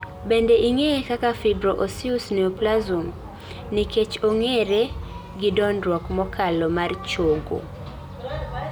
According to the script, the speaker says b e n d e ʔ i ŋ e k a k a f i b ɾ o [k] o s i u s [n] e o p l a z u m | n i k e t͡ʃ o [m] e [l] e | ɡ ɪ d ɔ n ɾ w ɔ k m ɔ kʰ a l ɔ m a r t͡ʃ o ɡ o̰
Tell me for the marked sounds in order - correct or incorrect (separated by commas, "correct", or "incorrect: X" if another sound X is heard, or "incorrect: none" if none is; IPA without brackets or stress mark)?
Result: incorrect: ʔ, correct, incorrect: ŋ, incorrect: ɾ